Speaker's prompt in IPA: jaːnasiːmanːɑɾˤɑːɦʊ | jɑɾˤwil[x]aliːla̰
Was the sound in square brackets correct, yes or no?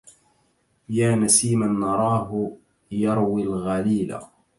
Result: no